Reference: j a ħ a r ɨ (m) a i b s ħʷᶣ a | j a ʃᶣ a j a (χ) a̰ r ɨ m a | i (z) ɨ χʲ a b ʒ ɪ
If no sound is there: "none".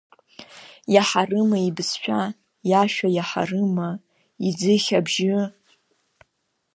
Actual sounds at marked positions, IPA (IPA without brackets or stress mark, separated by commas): m, ħ, d͡z